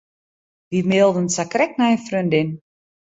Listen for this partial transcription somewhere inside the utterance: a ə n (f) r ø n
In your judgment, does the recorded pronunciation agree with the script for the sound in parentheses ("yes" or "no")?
yes